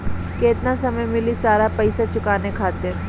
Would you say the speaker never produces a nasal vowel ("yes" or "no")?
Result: yes